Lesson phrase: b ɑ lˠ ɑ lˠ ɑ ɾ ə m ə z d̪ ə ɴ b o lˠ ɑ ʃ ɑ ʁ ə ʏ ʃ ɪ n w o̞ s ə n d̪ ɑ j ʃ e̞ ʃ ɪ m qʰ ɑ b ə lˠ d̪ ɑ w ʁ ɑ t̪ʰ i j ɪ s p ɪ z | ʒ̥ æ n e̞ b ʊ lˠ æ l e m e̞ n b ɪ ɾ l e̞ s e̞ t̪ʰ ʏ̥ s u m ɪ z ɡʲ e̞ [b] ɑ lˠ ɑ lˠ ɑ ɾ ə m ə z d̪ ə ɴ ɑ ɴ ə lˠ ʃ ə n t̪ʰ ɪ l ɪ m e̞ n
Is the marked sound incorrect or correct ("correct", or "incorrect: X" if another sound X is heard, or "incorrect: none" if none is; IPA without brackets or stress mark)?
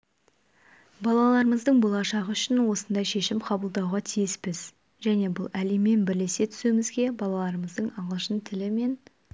correct